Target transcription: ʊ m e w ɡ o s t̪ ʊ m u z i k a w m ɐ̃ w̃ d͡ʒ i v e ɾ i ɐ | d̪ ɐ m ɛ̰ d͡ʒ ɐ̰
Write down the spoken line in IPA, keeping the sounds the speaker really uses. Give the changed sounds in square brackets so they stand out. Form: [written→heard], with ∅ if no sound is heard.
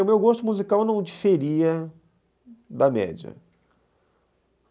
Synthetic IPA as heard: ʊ m e w ɡ o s t̪ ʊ m u z i k a w [m→n] ɐ̃ w̃ d͡ʒ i [v→f] e ɾ i ɐ | d̪ ɐ m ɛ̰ d͡ʒ ɐ̰